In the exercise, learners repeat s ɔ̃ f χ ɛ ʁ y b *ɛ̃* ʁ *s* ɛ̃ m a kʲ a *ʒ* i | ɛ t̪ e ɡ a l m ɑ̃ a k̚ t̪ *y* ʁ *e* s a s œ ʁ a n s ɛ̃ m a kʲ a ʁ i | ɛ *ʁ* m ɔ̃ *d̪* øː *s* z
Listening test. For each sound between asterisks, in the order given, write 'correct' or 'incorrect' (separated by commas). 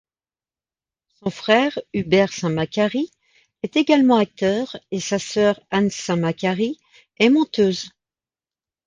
incorrect, correct, incorrect, incorrect, correct, incorrect, incorrect, incorrect